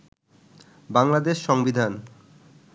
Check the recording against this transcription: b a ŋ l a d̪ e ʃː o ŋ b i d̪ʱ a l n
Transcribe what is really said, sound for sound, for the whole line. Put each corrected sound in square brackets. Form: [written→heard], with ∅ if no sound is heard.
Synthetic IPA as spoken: b a ŋ l a d̪ e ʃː [o→ɔ] ŋ b i d̪ʱ a [l→∅] n